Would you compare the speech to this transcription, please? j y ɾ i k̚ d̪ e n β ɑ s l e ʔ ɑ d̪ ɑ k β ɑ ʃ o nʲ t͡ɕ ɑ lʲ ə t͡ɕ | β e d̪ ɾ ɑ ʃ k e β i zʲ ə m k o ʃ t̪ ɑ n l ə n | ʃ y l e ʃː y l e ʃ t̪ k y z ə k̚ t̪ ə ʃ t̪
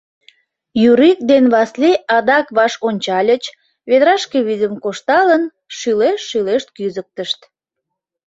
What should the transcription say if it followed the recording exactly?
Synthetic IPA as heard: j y ɾ i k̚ d̪ e n β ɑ s l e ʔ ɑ d̪ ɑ k β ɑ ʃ o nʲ t͡ɕ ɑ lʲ ə t͡ɕ | β e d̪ ɾ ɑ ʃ k e β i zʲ ə m k o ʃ t̪ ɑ l ə n | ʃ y l e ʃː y l e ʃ t̪ k y z ə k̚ t̪ ə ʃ t̪